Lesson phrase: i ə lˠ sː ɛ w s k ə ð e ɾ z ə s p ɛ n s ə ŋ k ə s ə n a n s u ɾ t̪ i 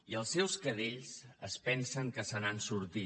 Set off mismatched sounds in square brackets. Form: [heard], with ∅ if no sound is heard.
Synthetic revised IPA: i ə lˠ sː ɛ w s k ə ð e [ʎ] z ə s p ɛ n s ə ŋ k ə s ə n a n s u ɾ t̪ i